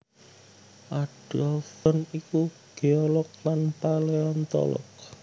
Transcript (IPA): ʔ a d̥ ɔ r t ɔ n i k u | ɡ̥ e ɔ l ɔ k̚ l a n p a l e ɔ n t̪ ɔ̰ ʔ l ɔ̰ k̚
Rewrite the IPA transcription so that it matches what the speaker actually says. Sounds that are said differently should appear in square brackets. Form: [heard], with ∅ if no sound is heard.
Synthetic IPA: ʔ a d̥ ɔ [l] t ɔ n i k u | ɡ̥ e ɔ l ɔ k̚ l a n p a l e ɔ n t̪ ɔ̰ [∅] l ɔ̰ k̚